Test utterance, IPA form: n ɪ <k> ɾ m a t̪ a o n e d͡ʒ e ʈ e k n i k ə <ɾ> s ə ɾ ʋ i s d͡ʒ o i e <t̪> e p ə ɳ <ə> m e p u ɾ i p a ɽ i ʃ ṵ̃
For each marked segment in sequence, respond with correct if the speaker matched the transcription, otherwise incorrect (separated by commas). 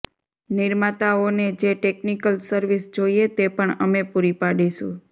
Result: incorrect, incorrect, correct, correct